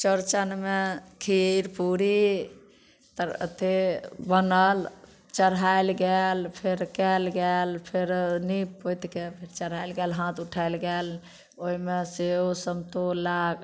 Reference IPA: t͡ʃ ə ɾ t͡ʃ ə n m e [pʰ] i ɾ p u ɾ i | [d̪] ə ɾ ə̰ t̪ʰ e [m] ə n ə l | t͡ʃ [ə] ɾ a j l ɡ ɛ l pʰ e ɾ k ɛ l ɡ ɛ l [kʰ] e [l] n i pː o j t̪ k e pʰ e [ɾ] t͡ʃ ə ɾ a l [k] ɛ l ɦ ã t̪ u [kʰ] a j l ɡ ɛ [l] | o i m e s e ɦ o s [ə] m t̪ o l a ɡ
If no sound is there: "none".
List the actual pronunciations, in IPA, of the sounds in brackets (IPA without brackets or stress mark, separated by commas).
kʰ, t̪, b, ə, pʰ, ɾ, ɾ, ɡ, ʈʰ, l, ə